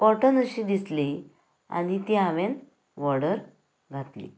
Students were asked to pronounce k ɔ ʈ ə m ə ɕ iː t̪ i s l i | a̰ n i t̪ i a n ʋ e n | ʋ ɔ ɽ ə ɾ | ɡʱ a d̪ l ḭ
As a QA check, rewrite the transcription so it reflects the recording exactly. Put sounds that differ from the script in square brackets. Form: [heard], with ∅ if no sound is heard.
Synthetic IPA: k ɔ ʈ ə [n] ə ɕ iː [d̪] i s l i | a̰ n i t̪ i a [∅] ʋ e n | ʋ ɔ ɽ ə ɾ | ɡʱ a [t̪] l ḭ